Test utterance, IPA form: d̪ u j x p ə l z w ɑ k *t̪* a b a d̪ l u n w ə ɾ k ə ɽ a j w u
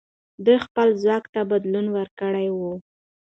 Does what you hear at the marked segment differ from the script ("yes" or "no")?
no